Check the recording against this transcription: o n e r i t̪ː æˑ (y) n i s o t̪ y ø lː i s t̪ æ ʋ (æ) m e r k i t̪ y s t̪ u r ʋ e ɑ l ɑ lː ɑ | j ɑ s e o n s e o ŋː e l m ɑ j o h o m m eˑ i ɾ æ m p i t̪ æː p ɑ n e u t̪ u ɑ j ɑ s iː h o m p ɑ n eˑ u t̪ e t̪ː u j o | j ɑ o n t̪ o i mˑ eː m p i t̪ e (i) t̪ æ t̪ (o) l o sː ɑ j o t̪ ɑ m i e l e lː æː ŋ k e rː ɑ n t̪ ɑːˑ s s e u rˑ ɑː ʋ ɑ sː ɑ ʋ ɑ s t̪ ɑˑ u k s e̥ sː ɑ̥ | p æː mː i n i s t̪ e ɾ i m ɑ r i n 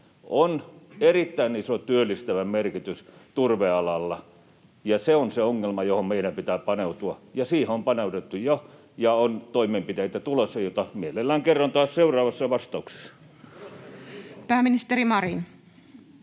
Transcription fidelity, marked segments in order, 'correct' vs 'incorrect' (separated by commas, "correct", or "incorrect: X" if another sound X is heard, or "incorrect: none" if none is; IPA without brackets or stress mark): incorrect: i, correct, correct, incorrect: u